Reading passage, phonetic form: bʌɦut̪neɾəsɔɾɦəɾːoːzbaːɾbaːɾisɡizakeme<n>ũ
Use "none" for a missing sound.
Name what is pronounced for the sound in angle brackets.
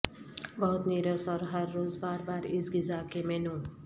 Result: n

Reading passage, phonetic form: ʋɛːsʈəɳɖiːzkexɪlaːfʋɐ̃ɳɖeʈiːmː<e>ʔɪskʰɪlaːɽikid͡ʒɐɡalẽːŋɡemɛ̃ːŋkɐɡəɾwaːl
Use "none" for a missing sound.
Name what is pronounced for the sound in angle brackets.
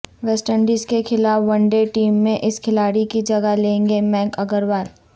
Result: ẽ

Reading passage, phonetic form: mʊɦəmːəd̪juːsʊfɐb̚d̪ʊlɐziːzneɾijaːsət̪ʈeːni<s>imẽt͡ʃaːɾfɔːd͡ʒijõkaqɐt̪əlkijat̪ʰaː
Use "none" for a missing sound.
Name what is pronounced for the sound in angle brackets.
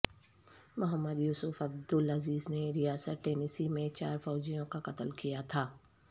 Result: s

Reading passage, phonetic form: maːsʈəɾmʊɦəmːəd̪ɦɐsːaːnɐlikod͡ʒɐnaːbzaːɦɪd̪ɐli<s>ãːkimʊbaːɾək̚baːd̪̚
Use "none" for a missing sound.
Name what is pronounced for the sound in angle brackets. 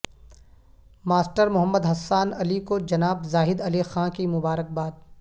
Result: x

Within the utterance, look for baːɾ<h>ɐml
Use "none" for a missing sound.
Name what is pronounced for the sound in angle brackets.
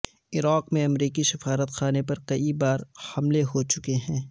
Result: h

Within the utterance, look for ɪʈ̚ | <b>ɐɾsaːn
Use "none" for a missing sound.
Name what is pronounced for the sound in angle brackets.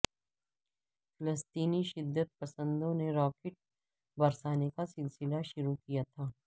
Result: b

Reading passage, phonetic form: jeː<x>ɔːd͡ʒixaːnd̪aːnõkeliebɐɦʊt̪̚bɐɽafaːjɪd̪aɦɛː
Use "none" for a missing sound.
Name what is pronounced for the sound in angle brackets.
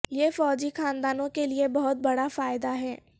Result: f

